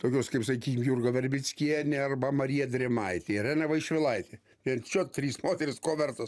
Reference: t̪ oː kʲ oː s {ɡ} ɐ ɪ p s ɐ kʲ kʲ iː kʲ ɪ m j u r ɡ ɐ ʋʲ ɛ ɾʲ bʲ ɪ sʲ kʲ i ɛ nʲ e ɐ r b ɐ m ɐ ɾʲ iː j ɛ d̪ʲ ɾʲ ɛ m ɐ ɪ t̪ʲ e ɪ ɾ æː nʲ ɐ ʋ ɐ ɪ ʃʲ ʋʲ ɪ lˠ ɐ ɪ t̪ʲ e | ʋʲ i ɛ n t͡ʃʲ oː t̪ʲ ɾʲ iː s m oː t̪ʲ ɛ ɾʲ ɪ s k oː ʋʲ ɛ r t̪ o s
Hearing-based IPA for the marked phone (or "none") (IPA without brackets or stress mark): k